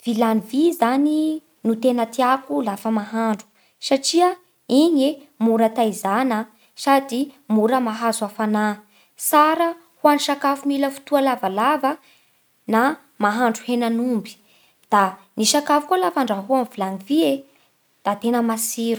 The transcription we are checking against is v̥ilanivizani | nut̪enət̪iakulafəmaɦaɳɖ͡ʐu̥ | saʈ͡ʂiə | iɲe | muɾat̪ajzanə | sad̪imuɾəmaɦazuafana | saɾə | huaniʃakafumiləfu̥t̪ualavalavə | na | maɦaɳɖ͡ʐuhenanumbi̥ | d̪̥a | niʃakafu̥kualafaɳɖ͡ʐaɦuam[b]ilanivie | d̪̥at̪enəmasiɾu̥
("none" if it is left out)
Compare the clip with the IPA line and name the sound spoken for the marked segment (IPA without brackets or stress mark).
v